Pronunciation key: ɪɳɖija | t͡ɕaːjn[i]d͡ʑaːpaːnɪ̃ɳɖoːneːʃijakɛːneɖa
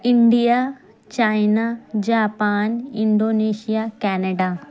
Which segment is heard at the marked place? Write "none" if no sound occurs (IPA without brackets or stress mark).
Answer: a